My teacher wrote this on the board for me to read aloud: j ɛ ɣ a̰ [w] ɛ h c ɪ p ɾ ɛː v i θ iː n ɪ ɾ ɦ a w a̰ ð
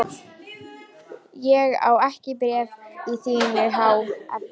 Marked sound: correct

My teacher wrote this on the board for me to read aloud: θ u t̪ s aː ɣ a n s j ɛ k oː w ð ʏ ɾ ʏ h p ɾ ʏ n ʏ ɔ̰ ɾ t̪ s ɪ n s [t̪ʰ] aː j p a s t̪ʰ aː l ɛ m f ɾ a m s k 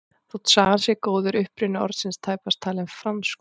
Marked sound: correct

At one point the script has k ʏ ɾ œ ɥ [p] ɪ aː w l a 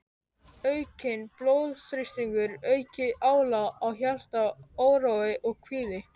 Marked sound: incorrect: c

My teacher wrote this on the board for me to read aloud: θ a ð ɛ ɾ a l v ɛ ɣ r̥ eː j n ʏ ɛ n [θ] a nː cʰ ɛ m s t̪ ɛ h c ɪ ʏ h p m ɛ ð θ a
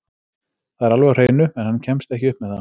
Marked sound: incorrect: h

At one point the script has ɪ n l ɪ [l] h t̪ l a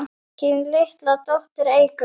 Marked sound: incorrect: none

